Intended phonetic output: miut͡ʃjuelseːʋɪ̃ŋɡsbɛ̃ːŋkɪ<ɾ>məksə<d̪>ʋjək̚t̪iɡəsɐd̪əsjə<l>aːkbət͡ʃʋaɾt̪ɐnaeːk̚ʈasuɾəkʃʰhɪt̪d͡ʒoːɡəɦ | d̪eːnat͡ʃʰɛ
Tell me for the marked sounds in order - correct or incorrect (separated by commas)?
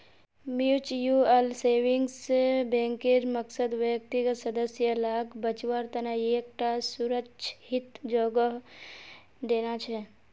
correct, correct, correct